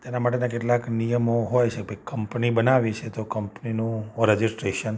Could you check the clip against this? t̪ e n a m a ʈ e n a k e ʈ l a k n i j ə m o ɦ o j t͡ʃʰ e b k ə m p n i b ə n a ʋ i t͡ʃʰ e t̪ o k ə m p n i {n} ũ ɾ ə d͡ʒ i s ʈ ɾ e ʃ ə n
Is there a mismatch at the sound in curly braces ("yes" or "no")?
no